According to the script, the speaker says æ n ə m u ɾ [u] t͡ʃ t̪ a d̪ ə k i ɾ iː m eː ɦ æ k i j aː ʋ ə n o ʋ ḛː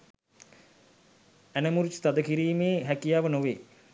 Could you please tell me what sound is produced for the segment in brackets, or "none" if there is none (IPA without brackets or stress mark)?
u